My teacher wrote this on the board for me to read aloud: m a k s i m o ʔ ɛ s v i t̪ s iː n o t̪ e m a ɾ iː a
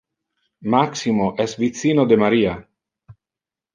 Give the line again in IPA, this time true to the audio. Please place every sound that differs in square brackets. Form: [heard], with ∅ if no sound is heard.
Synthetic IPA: m a k s i m o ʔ ɛ s v i t̪ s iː n o [d̪] e m a ɾ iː a